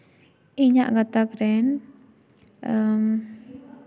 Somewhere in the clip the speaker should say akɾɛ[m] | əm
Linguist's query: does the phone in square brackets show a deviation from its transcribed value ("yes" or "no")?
yes